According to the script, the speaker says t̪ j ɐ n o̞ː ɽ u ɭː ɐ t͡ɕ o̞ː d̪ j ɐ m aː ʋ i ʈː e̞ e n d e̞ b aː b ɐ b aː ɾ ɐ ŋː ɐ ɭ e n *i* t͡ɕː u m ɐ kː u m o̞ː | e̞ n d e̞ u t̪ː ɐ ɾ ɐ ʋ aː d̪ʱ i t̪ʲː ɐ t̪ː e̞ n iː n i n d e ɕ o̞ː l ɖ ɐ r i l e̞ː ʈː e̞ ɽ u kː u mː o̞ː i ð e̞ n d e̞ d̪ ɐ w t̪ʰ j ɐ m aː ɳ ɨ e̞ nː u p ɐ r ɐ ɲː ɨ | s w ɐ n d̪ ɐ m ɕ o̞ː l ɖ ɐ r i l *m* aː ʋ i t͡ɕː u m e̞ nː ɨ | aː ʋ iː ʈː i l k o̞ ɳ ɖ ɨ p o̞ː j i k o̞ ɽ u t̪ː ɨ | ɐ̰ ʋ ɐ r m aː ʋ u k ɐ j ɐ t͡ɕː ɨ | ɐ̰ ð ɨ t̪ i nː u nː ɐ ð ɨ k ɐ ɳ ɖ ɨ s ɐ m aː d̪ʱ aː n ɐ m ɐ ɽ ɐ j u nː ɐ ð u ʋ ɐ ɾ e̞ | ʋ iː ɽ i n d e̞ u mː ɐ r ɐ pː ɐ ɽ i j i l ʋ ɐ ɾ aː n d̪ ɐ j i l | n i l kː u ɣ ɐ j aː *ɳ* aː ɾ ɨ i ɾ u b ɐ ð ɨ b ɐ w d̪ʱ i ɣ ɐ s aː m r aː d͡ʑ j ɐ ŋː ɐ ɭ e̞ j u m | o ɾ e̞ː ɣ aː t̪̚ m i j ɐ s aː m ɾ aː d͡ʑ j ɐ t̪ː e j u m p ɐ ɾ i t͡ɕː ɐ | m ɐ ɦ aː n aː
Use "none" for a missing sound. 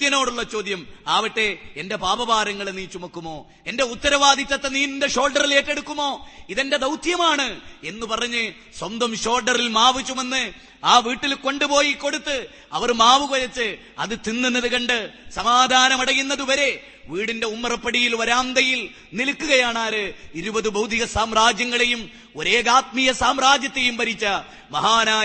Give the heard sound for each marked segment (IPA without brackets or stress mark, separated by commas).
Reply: iː, m, ɳ